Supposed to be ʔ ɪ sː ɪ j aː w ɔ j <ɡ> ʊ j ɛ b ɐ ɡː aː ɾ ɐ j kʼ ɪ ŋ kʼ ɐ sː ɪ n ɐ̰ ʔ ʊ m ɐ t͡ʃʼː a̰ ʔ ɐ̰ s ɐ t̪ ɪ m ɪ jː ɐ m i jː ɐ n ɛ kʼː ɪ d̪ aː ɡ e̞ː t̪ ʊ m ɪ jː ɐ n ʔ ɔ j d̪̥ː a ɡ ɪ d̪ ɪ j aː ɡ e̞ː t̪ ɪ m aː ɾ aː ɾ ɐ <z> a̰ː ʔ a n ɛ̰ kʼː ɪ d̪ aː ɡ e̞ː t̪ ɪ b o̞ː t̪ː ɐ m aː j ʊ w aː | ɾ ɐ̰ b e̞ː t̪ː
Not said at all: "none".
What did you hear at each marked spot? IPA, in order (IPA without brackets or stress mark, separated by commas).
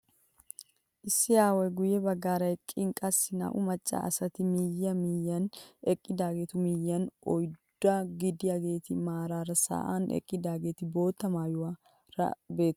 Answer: ɡ, s